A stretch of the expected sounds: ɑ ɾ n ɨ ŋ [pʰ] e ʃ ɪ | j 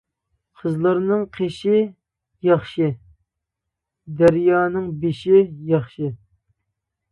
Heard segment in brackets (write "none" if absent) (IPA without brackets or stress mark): qʰ